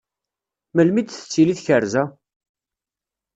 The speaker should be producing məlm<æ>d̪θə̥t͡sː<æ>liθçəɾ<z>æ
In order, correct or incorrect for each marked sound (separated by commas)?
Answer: incorrect, incorrect, correct